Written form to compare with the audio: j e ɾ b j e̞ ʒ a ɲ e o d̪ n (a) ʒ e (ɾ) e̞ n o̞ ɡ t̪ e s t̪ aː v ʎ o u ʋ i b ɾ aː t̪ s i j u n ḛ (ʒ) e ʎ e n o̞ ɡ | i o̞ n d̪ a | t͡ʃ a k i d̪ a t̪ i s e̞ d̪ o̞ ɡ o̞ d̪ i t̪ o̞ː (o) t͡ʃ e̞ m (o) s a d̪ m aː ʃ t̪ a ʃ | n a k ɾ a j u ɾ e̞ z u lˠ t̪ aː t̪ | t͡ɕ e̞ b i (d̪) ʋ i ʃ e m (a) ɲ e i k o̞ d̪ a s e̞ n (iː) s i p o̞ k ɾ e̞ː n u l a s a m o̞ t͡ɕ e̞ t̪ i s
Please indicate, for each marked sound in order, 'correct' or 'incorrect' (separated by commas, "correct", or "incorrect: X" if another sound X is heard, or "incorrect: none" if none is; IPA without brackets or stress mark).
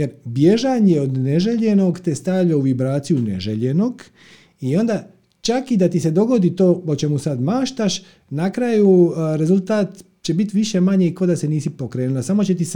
incorrect: e, incorrect: ʎ, correct, correct, incorrect: u, incorrect: t̪, correct, correct